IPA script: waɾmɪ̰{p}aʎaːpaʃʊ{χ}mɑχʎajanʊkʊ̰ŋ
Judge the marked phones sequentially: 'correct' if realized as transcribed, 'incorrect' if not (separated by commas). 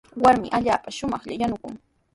incorrect, incorrect